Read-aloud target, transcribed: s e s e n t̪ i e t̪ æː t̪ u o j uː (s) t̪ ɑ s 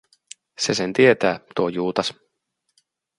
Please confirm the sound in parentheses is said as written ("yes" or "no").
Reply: no